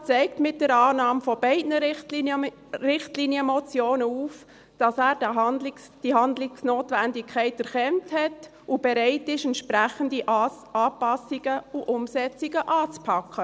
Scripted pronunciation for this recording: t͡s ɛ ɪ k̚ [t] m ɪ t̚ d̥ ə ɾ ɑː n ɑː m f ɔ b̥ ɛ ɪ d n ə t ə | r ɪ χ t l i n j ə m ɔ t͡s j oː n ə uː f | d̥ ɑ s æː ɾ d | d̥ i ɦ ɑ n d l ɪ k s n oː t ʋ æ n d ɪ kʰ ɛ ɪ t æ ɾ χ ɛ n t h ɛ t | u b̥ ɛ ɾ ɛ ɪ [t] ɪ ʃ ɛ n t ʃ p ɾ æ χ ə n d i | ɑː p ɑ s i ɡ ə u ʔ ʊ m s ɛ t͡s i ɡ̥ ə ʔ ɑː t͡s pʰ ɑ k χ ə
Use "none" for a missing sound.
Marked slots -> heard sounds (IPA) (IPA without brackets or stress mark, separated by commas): t, t